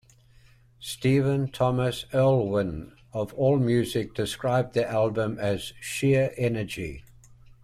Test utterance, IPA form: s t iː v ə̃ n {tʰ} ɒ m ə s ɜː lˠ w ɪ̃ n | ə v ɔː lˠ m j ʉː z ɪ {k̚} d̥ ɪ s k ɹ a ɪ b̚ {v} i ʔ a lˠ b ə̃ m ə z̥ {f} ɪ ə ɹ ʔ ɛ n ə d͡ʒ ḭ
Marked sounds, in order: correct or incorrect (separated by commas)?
correct, correct, incorrect, incorrect